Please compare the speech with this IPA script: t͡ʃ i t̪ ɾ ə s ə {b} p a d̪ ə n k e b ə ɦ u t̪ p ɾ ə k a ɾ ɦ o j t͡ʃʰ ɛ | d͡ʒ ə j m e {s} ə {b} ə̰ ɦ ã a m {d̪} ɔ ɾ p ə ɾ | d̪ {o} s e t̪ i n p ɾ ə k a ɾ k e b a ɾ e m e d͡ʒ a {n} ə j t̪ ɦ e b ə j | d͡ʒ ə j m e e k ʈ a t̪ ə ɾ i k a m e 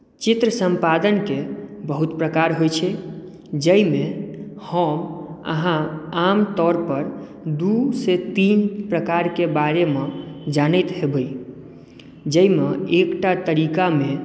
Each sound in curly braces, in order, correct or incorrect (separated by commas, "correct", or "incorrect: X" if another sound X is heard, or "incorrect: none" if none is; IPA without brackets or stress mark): incorrect: m, incorrect: h, incorrect: m, incorrect: t̪, incorrect: u, correct